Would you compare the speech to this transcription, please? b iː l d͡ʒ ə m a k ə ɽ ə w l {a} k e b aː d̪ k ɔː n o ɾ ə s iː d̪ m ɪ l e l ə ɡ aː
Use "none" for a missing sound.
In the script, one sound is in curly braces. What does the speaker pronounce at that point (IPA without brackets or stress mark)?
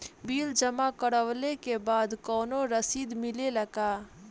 e